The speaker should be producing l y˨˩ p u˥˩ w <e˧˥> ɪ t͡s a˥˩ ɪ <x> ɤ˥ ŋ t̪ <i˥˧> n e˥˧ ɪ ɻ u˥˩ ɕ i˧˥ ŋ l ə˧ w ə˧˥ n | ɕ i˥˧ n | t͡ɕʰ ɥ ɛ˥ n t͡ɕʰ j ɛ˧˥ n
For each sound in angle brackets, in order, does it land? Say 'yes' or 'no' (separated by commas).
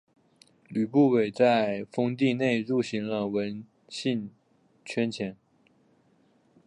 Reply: no, no, yes